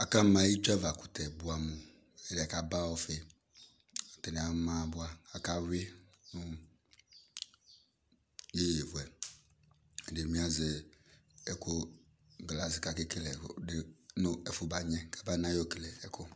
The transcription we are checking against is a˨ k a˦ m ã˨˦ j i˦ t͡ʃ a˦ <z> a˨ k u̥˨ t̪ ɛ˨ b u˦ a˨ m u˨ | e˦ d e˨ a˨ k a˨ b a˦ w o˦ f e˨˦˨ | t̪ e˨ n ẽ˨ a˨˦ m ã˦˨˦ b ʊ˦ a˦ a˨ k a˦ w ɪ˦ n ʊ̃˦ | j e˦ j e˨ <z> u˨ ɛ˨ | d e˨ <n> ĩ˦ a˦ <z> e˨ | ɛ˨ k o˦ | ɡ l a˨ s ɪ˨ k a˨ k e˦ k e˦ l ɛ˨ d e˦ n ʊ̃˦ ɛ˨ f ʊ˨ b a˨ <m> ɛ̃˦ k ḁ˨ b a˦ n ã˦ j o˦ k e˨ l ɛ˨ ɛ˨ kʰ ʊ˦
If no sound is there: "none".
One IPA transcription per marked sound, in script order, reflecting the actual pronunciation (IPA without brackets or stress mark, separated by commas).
v, v, m, z, ɲ